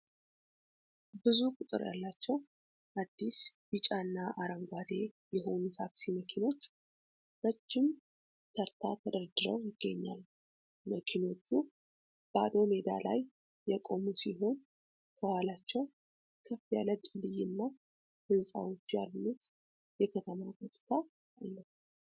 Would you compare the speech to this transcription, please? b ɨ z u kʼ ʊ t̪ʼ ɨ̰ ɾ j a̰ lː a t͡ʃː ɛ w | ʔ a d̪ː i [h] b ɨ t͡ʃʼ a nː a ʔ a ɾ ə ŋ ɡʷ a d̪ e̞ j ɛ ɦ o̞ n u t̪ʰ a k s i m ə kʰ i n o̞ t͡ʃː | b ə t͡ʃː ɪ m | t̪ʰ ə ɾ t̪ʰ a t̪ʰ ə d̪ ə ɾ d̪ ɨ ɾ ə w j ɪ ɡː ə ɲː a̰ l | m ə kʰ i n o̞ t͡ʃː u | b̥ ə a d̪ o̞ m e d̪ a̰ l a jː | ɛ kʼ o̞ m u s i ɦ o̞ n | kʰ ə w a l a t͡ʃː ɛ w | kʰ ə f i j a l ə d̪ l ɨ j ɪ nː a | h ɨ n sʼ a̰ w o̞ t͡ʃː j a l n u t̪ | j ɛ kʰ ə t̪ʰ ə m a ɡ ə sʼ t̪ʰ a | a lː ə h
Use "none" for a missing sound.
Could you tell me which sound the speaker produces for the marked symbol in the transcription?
s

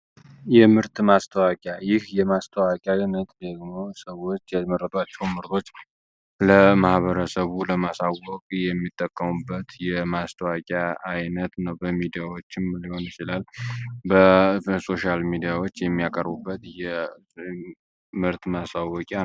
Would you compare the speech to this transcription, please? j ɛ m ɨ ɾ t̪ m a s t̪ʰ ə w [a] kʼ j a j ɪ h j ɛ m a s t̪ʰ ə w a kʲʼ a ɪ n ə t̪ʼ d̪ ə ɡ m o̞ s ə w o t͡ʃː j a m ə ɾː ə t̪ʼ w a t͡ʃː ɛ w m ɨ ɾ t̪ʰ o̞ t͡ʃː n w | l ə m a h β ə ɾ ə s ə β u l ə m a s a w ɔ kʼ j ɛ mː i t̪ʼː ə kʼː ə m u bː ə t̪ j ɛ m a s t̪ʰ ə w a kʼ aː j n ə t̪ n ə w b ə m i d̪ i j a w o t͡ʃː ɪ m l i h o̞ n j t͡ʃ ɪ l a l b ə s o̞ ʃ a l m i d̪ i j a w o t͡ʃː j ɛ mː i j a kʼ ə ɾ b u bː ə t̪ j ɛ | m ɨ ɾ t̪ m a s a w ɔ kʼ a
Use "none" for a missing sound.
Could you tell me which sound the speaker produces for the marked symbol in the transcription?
a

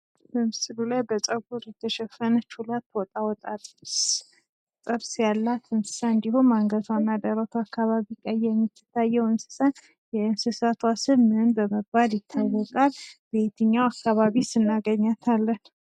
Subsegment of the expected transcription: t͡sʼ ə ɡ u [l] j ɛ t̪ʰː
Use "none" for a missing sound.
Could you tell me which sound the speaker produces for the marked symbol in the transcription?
ɾ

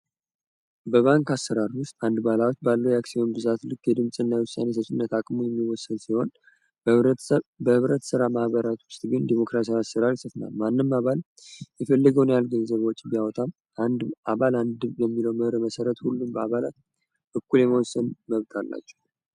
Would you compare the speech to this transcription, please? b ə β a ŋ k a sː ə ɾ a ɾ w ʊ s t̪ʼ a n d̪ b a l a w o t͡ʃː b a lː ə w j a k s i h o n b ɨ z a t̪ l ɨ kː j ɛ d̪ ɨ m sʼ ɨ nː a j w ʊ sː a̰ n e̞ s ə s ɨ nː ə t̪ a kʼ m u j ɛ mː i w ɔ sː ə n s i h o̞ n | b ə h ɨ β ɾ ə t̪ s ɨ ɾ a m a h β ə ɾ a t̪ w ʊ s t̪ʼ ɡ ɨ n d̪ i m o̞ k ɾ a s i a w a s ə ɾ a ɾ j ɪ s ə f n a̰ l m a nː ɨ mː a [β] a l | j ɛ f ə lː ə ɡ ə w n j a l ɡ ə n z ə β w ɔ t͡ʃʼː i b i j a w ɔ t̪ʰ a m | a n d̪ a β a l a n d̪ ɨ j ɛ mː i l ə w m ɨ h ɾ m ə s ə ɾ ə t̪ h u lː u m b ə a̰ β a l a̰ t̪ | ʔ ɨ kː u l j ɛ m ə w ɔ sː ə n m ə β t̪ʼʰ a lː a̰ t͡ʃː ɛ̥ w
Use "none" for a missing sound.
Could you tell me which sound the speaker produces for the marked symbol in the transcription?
β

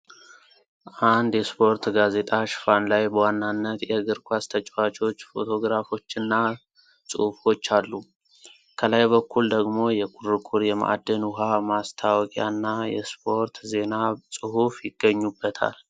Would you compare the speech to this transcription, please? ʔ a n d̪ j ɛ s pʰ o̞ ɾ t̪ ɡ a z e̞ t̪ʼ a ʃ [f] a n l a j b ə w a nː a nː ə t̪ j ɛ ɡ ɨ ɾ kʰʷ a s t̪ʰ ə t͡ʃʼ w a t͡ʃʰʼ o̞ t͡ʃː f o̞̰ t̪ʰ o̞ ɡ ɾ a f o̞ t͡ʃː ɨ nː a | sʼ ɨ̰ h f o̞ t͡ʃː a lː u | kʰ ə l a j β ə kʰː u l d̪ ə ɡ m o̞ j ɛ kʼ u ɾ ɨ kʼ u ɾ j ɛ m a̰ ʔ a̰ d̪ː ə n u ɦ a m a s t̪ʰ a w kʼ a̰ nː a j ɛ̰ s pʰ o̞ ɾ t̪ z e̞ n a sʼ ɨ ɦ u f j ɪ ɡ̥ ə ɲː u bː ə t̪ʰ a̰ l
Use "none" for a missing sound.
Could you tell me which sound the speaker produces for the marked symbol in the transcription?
f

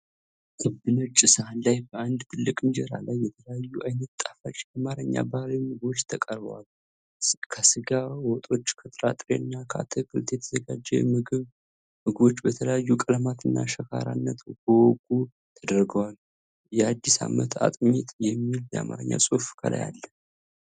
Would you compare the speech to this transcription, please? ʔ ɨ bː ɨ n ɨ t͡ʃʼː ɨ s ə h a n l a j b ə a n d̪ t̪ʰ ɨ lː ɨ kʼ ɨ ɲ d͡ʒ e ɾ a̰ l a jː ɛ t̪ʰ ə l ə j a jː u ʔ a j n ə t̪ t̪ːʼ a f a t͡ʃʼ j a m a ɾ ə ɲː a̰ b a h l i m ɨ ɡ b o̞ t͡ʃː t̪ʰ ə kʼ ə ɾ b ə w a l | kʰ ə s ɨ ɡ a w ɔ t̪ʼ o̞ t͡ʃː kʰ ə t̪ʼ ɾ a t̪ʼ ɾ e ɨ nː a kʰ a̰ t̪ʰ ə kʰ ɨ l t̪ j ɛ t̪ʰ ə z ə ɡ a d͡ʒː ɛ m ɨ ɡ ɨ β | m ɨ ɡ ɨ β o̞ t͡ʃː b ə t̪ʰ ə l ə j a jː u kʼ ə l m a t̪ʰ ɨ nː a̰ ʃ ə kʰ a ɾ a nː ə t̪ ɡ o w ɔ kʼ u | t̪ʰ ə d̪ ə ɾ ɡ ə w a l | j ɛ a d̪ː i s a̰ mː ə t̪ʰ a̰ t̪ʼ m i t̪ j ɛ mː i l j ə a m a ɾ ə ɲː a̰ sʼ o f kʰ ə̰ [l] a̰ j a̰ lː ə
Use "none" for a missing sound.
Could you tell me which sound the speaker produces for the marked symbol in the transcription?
l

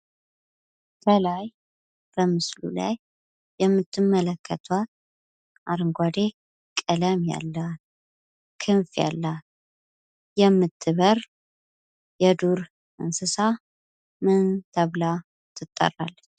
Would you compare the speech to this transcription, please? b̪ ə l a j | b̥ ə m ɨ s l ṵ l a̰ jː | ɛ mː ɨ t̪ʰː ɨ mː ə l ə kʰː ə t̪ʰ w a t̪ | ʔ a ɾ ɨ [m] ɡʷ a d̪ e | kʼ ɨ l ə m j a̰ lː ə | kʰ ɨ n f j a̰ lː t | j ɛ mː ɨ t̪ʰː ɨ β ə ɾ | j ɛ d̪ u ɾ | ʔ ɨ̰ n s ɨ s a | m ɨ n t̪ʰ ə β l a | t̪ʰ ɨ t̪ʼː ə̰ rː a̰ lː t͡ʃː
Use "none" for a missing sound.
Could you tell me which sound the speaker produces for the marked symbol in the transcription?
ŋ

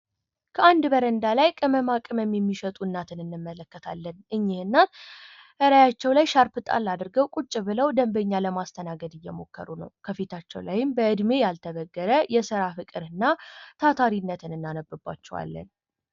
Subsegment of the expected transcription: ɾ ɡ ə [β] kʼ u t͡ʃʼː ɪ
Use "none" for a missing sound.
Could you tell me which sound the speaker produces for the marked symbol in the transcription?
w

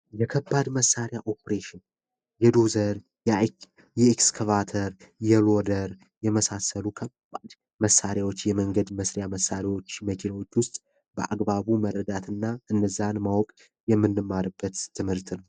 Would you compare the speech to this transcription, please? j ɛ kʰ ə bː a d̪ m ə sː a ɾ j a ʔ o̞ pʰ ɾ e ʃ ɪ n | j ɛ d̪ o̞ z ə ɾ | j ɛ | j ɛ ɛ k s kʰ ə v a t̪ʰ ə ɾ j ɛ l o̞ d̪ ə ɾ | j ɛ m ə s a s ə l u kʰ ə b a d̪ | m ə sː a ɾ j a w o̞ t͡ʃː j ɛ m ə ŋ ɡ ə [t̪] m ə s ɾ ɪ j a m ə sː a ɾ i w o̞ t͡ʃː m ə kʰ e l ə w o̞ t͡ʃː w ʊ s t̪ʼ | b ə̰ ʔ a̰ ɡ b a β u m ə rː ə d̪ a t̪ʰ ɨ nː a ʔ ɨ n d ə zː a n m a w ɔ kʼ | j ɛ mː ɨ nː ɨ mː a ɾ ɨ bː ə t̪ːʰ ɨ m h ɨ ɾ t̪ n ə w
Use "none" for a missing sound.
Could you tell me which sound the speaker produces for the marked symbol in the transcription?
d̪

